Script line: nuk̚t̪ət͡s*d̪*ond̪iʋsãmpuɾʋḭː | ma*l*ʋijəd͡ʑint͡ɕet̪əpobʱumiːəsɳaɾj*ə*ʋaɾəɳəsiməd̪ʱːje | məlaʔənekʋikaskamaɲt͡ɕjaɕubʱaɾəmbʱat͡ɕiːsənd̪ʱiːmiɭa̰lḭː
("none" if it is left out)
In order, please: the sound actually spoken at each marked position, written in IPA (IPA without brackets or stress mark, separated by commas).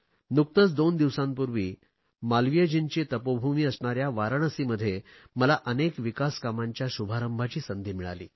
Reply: d̪, l, a